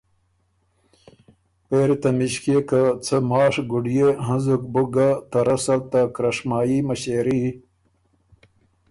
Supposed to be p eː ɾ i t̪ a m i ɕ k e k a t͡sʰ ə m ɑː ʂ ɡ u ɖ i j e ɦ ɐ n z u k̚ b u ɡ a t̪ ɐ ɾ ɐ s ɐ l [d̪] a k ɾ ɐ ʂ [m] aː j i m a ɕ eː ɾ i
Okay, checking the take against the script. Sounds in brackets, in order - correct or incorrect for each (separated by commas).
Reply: incorrect, correct